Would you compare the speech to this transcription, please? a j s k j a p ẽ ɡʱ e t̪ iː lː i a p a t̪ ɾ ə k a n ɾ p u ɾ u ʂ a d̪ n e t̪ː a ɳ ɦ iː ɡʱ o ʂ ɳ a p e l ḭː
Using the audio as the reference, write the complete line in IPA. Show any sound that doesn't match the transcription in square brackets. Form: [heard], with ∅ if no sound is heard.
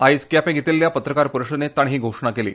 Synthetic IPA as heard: a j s k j a p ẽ ɡʱ e t̪ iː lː [j] a p [ə] t̪ ɾ ə k a [∅] ɾ p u ɾ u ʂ [ə] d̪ n e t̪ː a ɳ ɦ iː ɡʱ o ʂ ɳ a [k] e l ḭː